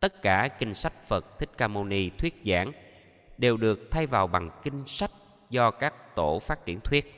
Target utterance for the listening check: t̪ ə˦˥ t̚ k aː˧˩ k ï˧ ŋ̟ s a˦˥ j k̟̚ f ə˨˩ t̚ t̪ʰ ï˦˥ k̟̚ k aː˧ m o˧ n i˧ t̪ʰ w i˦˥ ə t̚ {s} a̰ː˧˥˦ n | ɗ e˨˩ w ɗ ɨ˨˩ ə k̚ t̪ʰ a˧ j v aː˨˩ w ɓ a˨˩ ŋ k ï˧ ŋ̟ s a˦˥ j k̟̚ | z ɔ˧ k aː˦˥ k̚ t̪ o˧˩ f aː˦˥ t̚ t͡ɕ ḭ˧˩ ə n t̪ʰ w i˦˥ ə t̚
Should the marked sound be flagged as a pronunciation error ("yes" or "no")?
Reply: yes